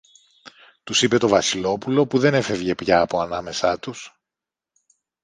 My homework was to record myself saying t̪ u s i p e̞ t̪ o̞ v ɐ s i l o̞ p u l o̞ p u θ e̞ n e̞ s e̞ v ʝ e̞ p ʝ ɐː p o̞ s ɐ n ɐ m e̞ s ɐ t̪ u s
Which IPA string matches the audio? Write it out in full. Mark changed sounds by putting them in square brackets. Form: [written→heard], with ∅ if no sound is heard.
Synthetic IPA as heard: t̪ u s i p e̞ t̪ o̞ v ɐ s i l o̞ p u l o̞ p u [θ→ð] e̞ n e̞ [s→f] e̞ v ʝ e̞ p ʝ ɐː p o̞ [s→∅] ɐ n ɐ m e̞ s ɐ t̪ u s